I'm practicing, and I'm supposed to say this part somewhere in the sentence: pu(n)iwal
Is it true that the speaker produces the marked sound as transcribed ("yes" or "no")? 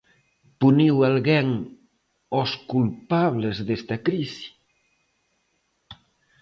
yes